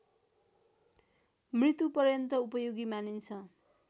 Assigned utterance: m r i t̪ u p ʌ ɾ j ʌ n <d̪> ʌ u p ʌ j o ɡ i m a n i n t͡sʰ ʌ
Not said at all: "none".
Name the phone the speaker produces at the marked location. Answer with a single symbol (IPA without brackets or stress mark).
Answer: t̪